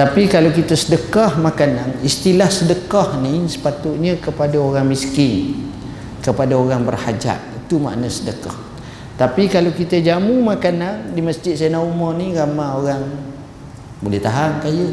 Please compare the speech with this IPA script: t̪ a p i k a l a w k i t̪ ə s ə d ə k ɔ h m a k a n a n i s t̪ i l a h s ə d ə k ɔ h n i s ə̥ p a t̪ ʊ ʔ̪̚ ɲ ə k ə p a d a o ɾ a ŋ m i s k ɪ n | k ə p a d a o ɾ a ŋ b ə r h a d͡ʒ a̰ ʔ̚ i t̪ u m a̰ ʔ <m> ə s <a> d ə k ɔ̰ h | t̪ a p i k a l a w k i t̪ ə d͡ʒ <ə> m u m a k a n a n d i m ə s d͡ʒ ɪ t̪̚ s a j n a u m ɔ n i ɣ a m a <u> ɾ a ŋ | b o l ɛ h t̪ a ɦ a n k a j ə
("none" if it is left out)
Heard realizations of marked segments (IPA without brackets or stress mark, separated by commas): n, ə, a, o